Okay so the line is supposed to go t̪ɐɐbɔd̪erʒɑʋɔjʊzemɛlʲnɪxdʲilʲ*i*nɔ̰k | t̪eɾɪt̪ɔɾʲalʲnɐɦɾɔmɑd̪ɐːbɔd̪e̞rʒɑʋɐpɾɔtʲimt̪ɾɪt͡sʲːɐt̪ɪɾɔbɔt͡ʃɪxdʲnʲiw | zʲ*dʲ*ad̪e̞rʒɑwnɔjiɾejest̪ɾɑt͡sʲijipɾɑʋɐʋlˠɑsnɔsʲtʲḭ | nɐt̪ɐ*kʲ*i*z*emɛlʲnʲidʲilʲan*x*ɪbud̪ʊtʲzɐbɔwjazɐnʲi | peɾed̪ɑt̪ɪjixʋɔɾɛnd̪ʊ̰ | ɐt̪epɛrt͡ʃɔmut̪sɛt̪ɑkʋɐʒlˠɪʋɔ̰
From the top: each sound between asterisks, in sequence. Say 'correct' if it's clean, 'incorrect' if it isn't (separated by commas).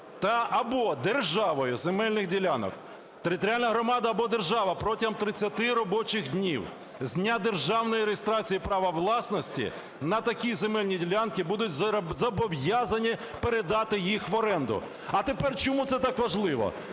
incorrect, incorrect, correct, correct, incorrect